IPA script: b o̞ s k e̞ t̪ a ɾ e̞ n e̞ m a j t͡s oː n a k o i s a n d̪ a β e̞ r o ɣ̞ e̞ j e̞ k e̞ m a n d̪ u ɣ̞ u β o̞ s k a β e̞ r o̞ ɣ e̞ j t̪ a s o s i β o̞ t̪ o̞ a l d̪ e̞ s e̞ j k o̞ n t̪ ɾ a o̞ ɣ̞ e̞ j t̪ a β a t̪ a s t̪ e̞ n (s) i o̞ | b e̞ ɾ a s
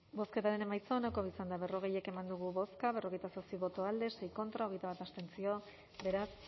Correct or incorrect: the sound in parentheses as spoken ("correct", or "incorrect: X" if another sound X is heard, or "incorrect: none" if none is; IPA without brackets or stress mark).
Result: incorrect: t͡s